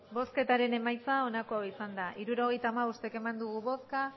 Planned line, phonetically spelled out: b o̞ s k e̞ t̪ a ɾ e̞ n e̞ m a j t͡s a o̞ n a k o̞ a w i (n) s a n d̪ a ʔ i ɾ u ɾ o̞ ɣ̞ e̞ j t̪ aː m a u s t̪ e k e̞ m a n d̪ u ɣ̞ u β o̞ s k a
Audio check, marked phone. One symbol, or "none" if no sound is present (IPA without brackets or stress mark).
none